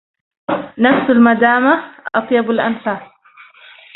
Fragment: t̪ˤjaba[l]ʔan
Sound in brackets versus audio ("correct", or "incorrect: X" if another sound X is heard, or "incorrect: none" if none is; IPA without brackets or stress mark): correct